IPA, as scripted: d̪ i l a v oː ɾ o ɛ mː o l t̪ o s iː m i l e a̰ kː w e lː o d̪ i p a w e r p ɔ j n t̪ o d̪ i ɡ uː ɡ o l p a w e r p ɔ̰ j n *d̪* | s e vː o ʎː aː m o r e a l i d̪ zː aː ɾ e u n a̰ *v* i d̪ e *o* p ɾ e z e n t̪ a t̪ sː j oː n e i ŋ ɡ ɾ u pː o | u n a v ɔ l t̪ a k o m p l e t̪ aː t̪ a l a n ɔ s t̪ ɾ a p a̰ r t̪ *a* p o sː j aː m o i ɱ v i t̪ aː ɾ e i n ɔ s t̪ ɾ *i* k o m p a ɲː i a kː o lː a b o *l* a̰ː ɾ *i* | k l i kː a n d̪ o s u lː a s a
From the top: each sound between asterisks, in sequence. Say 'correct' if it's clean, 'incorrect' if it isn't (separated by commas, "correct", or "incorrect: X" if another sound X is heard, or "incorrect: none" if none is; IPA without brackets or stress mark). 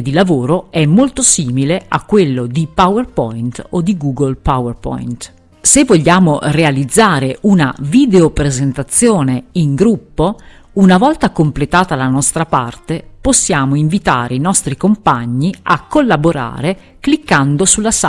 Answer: incorrect: t̪, correct, correct, incorrect: e, correct, incorrect: ɾ, incorrect: e